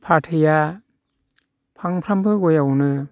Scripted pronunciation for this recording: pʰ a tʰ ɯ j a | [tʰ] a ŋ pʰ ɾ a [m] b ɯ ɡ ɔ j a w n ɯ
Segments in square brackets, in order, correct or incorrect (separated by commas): incorrect, correct